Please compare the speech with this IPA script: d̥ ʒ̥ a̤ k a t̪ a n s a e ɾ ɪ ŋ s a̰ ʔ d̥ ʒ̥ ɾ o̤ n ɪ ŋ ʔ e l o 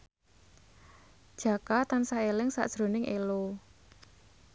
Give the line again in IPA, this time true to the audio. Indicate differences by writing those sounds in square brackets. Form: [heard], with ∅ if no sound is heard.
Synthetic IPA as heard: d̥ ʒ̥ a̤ k a t̪ a n s a e [l] ɪ ŋ s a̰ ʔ d̥ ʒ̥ ɾ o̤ n ɪ ŋ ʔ e l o